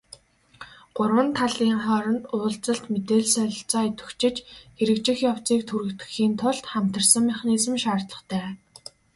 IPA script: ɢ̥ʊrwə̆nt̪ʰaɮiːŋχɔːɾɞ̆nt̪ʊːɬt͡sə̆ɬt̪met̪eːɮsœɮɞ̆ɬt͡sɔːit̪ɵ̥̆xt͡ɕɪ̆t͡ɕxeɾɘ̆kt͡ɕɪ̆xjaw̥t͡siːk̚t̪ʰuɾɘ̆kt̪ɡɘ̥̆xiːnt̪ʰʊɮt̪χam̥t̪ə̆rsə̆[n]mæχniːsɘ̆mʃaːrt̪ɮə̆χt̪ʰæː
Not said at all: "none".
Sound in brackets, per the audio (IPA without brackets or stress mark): ŋ